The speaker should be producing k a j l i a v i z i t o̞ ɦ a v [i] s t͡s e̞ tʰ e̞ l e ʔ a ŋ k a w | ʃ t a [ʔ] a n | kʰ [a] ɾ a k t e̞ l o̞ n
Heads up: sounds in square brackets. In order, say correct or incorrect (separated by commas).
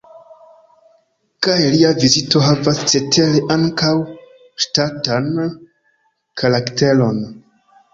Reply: incorrect, incorrect, correct